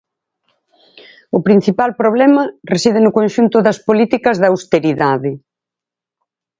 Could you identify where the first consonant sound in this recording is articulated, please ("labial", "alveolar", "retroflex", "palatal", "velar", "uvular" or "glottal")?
labial